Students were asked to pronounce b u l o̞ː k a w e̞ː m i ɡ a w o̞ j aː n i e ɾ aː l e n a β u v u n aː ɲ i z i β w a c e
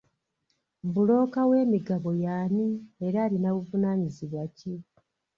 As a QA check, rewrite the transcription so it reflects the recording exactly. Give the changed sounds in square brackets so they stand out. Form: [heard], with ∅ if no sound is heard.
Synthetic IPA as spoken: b u l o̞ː k a w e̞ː m i ɡ a [β] o̞ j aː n i e ɾ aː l [i] n a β u v u n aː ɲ i z i β w a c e